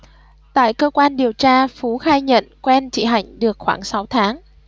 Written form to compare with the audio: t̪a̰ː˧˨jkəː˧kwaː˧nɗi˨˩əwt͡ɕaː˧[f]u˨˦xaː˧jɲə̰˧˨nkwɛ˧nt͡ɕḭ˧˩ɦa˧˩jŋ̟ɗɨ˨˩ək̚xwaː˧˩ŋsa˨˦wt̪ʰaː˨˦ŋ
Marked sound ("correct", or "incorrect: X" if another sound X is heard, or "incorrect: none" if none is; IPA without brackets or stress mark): correct